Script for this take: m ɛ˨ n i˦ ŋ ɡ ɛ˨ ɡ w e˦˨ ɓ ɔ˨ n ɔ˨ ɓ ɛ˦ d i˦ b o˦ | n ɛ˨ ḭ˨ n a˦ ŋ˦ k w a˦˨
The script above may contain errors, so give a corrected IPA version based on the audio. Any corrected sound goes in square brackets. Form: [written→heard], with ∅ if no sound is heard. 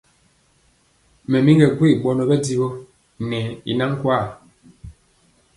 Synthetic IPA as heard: m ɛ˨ [n→m] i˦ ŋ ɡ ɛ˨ ɡ w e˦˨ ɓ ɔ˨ n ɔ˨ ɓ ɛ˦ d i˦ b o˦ | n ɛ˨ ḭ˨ n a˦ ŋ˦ k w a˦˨